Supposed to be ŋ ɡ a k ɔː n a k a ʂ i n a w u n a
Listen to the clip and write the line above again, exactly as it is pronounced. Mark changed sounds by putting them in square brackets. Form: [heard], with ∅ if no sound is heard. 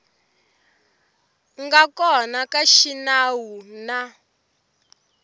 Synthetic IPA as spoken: ŋ ɡ a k [ɔ] n a k a [ʃ] i n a w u n a

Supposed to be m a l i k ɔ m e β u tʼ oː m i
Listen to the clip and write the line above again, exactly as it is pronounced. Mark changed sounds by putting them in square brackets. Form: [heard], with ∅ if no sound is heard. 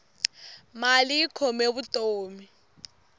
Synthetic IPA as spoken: m a l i [kʰ] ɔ m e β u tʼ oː m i

